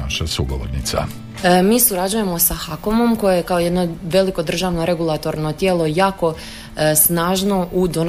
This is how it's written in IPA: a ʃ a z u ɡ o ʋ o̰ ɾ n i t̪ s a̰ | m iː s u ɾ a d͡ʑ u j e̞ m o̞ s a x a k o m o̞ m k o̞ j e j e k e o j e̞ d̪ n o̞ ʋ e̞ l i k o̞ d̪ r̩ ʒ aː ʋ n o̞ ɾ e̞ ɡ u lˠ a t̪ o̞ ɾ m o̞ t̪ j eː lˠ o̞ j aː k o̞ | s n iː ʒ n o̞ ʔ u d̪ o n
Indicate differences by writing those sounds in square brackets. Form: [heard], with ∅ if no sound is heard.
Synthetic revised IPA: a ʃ a [s] u ɡ o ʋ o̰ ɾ n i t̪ s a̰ | m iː s u ɾ a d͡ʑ u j e̞ m o̞ s a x a k o m o̞ m k o̞ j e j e k [a] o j e̞ d̪ n o̞ ʋ e̞ l i k o̞ d̪ r̩ ʒ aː ʋ n o̞ ɾ e̞ ɡ u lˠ a t̪ o̞ ɾ [n] o̞ t̪ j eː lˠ o̞ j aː k o̞ | s n [aː] ʒ n o̞ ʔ u d̪ o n